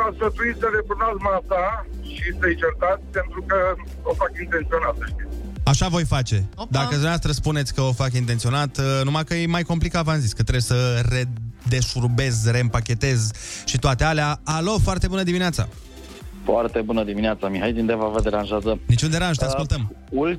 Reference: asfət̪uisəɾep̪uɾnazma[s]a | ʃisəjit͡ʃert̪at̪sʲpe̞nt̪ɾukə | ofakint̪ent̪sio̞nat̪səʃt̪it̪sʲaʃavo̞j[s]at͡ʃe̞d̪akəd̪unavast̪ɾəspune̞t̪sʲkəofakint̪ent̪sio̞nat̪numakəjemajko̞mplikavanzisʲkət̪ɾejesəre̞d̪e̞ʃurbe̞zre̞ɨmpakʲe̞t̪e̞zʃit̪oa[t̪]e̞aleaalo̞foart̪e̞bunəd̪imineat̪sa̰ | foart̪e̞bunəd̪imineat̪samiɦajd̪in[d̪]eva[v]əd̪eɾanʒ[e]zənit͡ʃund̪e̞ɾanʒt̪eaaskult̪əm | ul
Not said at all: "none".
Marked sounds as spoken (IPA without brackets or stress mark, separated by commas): s, f, t̪, d̪, v, a